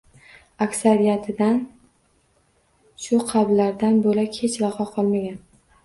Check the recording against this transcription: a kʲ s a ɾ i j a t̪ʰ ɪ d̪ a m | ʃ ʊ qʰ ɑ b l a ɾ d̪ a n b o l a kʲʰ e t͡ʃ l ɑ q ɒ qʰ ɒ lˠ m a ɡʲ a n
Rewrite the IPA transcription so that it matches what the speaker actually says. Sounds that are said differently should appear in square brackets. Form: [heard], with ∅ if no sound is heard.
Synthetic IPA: a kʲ s a ɾ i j a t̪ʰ ɪ d̪ a [n] | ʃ ʊ qʰ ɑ b l a ɾ d̪ a n b o l a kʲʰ e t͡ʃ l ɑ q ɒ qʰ ɒ lˠ m a ɡʲ a n